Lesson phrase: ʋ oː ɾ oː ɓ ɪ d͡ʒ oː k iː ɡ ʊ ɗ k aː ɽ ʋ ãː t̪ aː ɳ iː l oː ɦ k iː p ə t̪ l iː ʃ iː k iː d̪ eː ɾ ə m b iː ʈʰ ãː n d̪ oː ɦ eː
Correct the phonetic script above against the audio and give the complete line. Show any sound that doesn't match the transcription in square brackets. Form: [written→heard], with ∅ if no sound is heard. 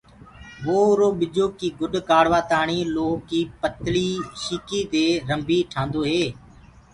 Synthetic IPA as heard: ʋ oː ɾ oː ɓ ɪ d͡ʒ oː k iː ɡ ʊ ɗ k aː ɽ ʋ [ãː→aː] t̪ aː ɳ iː l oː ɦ k iː p ə t̪ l iː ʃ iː k iː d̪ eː ɾ ə m b iː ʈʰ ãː n d̪ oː ɦ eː